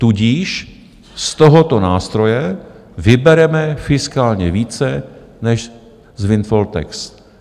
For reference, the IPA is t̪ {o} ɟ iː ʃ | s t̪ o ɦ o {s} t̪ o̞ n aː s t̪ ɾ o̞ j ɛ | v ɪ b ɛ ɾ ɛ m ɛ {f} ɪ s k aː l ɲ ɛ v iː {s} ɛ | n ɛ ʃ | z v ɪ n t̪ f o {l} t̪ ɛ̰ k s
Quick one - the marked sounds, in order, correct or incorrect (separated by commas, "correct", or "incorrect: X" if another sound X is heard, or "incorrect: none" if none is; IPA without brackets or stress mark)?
incorrect: u, incorrect: none, correct, incorrect: t͡s, correct